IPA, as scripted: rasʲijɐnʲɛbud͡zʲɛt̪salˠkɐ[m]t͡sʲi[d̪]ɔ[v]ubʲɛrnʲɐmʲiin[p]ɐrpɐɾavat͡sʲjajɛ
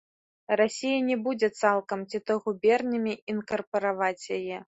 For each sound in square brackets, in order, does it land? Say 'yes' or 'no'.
yes, no, no, no

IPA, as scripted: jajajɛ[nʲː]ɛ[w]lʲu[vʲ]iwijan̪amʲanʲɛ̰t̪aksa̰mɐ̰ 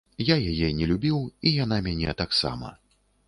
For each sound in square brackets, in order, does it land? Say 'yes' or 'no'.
no, no, no

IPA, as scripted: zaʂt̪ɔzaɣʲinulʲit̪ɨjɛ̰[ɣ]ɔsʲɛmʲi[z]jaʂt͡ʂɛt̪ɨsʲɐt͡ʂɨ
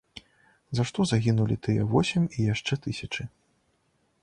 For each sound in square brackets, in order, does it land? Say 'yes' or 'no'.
no, no

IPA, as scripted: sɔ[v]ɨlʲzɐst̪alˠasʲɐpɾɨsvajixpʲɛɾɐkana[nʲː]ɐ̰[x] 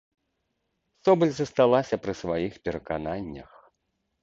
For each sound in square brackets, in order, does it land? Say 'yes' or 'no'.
no, yes, yes

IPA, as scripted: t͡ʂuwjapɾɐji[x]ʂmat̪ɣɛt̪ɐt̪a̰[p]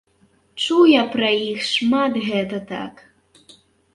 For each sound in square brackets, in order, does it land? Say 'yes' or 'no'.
yes, no

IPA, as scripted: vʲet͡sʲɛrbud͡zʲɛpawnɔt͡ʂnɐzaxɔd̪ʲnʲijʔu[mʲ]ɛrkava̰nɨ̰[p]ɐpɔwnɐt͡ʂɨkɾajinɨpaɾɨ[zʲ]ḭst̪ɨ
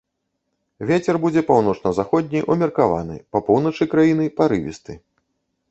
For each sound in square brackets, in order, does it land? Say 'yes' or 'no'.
yes, yes, no

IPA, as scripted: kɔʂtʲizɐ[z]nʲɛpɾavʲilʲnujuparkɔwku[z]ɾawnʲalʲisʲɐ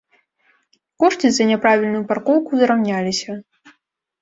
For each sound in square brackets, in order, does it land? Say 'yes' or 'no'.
no, yes

